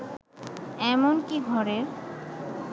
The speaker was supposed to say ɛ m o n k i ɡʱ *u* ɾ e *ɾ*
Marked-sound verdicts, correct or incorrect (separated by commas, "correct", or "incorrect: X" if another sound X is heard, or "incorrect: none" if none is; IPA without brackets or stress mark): incorrect: ɔ, correct